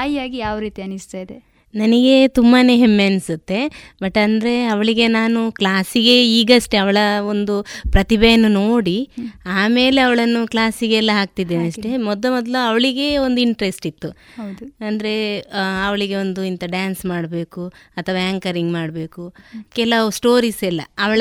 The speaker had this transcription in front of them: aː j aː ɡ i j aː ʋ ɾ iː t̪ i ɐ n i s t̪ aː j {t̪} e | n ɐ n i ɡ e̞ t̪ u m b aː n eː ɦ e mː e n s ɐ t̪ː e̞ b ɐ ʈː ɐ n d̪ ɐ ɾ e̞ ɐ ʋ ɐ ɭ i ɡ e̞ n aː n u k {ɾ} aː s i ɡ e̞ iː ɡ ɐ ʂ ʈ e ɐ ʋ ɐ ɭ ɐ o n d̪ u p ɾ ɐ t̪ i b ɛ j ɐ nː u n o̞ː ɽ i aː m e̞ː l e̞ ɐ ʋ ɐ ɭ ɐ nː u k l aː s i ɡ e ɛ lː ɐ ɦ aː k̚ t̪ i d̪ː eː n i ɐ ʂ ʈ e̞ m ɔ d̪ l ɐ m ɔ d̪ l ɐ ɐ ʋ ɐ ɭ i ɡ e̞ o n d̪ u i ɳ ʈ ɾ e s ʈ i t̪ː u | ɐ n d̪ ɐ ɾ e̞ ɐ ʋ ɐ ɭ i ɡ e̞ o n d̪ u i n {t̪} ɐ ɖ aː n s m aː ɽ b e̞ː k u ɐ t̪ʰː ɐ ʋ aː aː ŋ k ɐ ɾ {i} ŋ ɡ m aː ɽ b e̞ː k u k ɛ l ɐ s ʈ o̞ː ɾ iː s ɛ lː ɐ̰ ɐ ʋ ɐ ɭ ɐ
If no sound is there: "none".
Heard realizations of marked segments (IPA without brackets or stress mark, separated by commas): d̪, l, t̪, i